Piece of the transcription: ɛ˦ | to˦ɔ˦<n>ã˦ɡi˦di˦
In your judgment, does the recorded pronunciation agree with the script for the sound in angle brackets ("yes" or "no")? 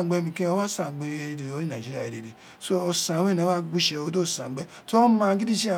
no